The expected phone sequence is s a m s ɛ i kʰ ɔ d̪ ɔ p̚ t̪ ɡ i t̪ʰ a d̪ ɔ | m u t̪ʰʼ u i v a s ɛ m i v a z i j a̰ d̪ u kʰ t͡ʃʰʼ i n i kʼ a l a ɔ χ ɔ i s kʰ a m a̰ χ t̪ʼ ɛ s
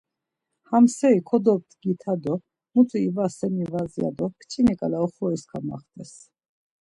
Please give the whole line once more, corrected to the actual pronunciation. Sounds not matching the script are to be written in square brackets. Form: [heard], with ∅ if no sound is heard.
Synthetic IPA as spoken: [h] a m s ɛ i kʰ ɔ d̪ ɔ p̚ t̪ ɡ i t̪ʰ a d̪ ɔ | m u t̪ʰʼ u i v a s ɛ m i v a z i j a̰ d̪ [ɔ] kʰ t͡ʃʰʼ i n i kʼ a l a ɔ χ ɔ i s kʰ a m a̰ χ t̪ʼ ɛ s